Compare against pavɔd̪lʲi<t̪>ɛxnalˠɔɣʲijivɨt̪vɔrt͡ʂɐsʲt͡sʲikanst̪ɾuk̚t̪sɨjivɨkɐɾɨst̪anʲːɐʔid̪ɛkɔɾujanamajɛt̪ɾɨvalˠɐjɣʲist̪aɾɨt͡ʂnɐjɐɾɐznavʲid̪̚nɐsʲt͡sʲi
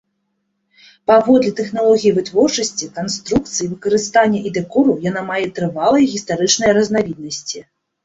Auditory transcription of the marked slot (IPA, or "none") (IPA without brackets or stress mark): t̪